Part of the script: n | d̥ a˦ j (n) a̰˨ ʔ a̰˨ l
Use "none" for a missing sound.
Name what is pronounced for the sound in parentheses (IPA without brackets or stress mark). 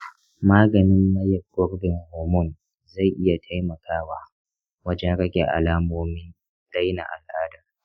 n